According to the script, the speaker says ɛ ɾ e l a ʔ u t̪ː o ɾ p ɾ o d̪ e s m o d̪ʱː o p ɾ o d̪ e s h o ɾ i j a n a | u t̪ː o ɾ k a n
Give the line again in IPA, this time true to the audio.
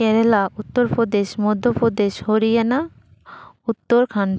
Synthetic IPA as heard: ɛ ɾ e l a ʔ u t̪ː o ɾ p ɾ o d̪ e ʃ m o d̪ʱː o p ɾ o d̪ e ʃ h o ɾ i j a n a | u t̪ː o ɾ kʰ a n